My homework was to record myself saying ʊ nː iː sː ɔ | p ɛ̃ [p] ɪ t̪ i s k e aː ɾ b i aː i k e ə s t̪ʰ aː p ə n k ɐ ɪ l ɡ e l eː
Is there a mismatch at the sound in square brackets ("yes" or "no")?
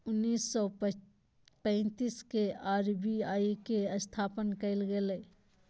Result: yes